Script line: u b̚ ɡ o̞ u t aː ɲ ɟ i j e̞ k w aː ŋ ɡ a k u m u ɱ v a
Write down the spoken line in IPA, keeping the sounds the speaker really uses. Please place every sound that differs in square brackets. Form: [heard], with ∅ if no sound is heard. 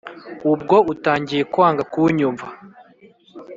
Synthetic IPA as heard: u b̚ ɡ o̞ u t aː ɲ ɟ i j e̞ k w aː ŋ ɡ a k u [ɲ] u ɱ v a

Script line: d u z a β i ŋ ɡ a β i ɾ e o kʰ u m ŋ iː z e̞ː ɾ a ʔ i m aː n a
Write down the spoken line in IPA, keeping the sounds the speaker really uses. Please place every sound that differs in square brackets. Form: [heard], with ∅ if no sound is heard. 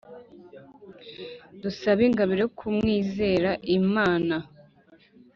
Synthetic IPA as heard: d u [s] a β i ŋ ɡ a β i ɾ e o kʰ u m ŋ iː z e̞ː ɾ a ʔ i m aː n a

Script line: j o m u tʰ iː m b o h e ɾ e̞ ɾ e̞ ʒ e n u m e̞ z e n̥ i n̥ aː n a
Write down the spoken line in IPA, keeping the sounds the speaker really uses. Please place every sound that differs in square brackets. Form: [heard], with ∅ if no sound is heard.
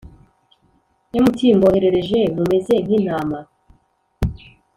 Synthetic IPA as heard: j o m u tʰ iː m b o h e ɾ e̞ ɾ e̞ ʒ e [m] u m e̞ z e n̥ i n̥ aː [m] a

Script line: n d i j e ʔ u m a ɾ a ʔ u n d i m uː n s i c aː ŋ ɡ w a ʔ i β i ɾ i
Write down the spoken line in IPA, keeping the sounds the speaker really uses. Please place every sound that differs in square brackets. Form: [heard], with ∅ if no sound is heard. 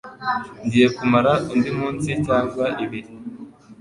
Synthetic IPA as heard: n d i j e [k] u m a ɾ a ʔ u n d i m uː n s i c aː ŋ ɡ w a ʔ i β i ɾ i

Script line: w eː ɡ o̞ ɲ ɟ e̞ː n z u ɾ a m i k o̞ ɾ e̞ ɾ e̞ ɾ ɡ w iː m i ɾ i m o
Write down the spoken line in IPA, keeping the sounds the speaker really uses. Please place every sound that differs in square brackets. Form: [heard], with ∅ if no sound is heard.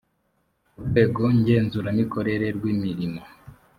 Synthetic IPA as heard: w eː ɡ o̞ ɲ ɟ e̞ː n z u ɾ a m i k o̞ ɾ e̞ ɾ e̞ ɾ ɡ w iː m i ɾ i m o

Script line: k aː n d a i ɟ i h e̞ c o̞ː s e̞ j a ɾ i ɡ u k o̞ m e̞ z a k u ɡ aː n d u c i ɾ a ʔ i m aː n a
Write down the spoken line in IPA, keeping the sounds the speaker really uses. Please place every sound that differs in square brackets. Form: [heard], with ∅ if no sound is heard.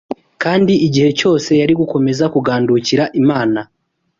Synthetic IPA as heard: k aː n d [i] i ɟ i h e̞ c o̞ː s e̞ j a ɾ i ɡ u k o̞ m e̞ z a k u ɡ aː n d u c i ɾ a ʔ i m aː n a

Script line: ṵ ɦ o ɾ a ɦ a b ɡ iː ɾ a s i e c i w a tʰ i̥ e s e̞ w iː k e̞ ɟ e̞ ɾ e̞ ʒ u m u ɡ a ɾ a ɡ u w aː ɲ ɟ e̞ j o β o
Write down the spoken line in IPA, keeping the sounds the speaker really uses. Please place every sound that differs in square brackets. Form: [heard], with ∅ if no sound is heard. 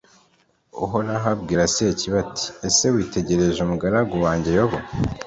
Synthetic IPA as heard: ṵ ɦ o ɾ a ɦ a b ɡ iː ɾ a s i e c i [β] a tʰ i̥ e s e̞ w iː [t] e̞ ɟ e̞ ɾ e̞ ʒ u m u ɡ a ɾ a ɡ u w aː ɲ ɟ e̞ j o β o

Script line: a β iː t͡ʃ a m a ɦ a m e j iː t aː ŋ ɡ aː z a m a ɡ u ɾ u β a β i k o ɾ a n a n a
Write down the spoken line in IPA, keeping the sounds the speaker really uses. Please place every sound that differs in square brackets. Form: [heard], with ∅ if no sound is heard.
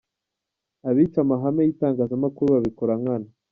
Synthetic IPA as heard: a β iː t͡ʃ a m a ɦ a m e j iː t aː ŋ ɡ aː z a m a [k] u ɾ u β a β i k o ɾ a [ŋ] a n a

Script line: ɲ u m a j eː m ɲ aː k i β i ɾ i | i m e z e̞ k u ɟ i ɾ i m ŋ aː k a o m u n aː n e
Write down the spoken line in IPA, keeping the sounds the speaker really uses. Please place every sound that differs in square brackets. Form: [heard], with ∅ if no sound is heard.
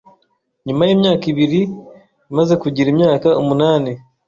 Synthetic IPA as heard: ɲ u m a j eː m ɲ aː k i β i ɾ i | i m [a] z e̞ k u ɟ i ɾ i m [ɲ] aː k a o m u n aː n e

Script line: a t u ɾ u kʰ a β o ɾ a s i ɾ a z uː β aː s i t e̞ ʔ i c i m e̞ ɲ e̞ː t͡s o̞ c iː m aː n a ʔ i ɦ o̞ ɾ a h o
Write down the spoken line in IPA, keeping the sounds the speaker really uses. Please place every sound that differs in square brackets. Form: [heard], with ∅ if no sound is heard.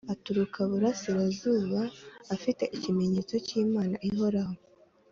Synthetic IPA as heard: a t u ɾ u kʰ a β [u] ɾ a s i ɾ a z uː β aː [f] i t e̞ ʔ i c i m e̞ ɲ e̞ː t͡s o̞ c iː m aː n a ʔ i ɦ o̞ ɾ a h o

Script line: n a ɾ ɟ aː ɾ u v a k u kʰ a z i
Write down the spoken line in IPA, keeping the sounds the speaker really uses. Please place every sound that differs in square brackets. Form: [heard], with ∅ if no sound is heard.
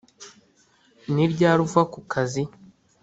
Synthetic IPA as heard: n [i] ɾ ɟ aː ɾ u v a k u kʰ a z i

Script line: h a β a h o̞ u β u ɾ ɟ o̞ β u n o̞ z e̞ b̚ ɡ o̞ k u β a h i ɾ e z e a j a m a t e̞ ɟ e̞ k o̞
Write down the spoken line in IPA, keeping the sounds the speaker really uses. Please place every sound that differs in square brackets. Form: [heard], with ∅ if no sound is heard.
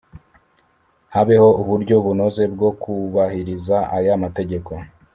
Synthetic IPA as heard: h a β [e] h o̞ u β u ɾ ɟ o̞ β u n o̞ z e̞ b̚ ɡ o̞ k u β a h i ɾ [i] z [a] a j a m a t e̞ ɟ e̞ k o̞

